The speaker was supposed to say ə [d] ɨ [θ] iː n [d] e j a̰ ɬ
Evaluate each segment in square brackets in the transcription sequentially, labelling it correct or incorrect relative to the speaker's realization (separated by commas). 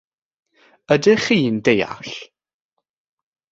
correct, incorrect, correct